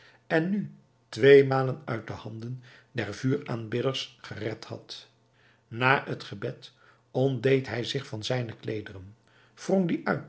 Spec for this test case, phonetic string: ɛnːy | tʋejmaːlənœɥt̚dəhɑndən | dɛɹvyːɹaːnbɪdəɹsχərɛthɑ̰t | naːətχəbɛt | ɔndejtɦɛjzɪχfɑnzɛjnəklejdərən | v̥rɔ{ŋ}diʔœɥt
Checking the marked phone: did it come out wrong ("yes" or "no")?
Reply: no